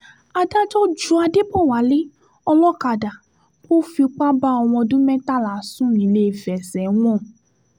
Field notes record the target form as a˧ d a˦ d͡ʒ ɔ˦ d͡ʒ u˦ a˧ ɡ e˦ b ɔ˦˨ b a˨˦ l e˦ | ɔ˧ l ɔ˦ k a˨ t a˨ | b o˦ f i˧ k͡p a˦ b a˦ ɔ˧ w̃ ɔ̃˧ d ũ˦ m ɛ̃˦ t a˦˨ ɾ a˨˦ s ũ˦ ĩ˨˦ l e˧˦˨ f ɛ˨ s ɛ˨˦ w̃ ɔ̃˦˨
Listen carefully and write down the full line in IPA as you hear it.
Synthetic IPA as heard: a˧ d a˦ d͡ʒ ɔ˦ d͡ʒ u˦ a˧ d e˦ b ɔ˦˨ w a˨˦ l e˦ | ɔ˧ l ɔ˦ k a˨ d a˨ | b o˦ f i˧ k͡p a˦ b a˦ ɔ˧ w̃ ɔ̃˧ d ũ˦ m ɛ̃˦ t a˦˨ l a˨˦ s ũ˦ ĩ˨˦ l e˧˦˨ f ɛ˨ s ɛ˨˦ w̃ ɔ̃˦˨